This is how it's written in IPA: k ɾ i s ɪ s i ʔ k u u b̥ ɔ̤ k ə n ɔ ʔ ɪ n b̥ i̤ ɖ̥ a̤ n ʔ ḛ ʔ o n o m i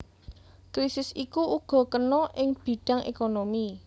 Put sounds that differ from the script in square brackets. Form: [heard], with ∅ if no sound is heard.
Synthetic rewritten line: k ɾ i s ɪ s i [∅] k u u [ɡ̥] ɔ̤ k ə n ɔ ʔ ɪ [ŋ] b̥ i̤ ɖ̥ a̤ [ŋ] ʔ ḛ [k] o n o m i